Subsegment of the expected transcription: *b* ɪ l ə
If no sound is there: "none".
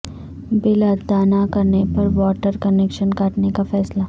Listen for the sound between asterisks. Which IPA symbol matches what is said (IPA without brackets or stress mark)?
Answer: b